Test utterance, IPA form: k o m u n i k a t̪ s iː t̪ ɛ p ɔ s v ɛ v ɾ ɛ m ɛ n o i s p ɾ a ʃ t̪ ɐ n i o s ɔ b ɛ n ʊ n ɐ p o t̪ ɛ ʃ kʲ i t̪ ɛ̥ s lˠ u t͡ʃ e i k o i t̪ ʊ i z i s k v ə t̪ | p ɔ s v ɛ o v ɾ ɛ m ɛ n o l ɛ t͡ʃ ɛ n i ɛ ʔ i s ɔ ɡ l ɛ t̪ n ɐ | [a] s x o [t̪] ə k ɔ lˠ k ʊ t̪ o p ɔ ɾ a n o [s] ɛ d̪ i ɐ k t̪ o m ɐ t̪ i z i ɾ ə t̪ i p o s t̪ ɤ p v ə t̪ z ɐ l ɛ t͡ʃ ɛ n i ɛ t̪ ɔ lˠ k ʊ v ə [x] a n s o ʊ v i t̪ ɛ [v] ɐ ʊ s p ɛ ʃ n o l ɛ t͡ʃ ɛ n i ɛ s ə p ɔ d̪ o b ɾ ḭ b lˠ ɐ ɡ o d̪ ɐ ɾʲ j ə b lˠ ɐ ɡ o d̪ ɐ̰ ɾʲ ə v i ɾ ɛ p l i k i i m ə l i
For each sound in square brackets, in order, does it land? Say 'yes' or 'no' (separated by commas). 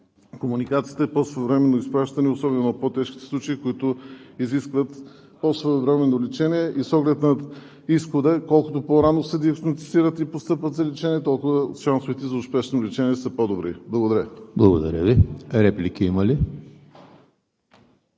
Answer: no, no, yes, no, no